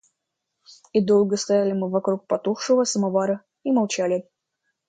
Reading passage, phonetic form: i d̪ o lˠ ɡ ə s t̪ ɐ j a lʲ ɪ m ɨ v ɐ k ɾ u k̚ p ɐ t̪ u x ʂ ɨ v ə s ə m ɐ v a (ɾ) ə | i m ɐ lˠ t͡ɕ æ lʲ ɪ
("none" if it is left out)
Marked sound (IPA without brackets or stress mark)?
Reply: ɾ